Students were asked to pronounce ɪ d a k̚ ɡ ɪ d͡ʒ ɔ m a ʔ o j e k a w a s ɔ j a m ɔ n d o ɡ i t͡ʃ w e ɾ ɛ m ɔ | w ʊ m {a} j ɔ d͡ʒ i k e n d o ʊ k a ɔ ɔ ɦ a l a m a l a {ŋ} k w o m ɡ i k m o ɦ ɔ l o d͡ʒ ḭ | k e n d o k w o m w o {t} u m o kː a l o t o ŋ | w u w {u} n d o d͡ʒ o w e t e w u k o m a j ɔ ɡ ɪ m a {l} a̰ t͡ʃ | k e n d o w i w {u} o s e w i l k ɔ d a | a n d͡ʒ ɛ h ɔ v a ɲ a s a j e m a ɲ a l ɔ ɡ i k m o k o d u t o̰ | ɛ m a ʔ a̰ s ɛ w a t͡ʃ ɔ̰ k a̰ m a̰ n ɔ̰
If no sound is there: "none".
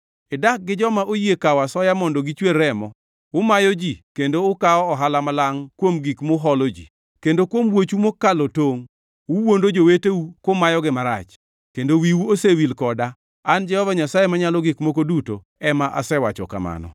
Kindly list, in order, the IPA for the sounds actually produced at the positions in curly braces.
a, ŋ, t͡ʃ, o, ɾ, u

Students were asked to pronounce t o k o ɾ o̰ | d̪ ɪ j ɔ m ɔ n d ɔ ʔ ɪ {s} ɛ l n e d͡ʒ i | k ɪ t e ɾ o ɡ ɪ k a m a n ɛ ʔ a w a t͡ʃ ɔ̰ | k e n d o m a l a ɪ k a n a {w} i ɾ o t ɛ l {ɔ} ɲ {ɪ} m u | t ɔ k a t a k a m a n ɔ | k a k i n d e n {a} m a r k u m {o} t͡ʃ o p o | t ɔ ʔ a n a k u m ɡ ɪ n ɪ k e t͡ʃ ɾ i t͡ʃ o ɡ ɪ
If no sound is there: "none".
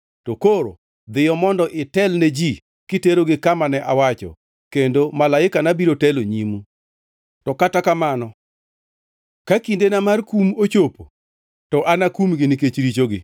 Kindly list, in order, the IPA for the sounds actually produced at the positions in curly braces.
t, b, o, i, a, o

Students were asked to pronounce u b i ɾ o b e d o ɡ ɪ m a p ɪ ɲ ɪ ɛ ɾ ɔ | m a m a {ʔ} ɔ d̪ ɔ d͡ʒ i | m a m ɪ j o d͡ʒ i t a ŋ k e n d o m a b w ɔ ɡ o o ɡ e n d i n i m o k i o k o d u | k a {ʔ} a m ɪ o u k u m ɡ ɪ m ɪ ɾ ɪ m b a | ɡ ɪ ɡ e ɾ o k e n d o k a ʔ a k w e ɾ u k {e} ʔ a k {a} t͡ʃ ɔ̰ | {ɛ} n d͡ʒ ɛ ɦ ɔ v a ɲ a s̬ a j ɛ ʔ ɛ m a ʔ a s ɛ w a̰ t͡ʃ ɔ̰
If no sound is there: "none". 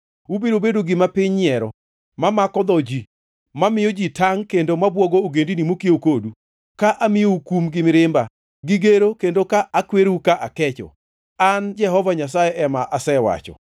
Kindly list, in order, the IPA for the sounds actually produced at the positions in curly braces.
k, ʔ, a, ɛ, a

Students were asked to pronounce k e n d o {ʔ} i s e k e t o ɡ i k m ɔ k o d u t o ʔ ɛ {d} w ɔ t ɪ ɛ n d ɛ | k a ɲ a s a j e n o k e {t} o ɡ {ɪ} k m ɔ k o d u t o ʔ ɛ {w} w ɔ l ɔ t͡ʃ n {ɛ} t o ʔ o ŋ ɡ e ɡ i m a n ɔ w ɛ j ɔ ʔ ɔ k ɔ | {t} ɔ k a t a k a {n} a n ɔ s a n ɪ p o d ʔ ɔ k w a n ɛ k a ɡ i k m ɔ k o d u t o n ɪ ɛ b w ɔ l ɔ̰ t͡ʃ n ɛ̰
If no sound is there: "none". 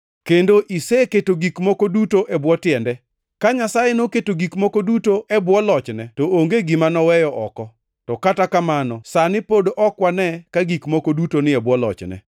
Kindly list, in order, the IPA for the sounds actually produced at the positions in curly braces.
ʔ, b, t, i, b, ɛ, t, m

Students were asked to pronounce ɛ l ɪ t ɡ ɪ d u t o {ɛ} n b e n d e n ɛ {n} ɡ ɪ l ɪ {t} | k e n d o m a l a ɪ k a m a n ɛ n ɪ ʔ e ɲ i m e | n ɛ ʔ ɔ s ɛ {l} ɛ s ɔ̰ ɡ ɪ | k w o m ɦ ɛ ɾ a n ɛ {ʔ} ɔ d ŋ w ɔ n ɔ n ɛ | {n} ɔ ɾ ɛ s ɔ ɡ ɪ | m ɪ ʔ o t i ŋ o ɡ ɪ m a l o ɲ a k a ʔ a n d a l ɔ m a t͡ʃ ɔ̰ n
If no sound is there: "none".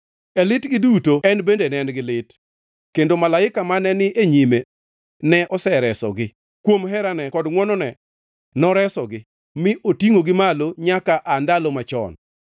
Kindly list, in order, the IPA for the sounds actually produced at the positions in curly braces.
ɛ, n, t, ɾ, k, n

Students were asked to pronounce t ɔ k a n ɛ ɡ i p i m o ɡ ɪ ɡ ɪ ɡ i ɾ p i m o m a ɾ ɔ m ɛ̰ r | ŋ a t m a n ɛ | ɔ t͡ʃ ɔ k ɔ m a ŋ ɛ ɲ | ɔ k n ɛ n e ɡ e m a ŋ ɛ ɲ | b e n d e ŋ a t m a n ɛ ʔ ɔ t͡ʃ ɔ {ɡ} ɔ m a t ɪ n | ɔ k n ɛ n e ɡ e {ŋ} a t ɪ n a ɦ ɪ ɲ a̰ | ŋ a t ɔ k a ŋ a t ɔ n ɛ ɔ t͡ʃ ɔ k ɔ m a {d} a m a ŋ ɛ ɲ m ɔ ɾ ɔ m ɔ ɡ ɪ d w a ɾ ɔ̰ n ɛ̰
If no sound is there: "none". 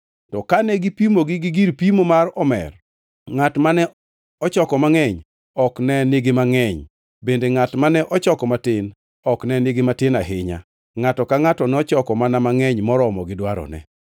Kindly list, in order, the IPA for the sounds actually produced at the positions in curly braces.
k, m, n

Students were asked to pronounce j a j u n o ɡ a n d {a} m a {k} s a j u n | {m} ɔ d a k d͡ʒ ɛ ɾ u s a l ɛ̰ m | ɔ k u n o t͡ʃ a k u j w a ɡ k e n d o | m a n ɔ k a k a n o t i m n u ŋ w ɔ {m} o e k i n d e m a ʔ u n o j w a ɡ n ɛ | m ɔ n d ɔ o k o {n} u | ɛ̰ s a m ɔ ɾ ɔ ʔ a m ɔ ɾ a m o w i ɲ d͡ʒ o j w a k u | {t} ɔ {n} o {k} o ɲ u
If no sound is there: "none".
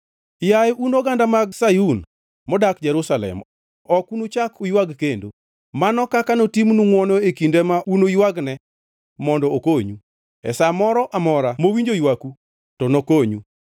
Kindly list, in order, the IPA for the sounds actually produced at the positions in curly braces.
a, ɡ, m, n, ɲ, t, n, k

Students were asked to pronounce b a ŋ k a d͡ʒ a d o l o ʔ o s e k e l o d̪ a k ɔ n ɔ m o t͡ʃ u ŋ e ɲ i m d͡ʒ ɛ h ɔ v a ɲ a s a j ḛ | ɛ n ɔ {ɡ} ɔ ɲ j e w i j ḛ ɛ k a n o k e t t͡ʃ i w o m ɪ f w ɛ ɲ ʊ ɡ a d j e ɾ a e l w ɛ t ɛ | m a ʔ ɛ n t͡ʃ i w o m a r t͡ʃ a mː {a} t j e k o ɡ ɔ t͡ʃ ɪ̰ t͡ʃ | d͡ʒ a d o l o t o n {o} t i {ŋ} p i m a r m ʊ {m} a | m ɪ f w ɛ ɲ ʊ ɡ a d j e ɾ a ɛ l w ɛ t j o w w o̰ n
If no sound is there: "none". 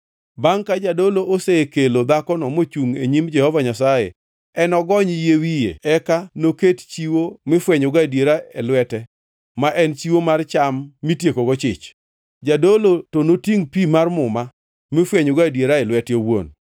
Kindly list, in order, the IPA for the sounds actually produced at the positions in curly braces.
ɡ, i, o, ŋ, m

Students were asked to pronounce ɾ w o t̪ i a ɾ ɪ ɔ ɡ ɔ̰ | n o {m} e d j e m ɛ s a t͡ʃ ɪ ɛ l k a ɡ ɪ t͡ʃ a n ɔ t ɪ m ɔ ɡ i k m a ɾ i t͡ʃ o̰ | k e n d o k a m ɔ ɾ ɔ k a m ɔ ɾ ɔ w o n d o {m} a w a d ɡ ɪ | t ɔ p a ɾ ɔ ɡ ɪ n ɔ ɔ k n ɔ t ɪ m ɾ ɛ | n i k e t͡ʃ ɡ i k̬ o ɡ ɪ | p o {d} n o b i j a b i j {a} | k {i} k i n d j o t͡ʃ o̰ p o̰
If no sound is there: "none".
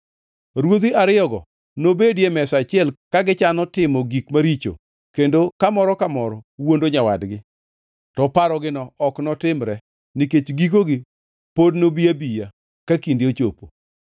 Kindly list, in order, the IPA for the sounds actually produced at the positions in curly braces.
b, ɲ, d, a, a

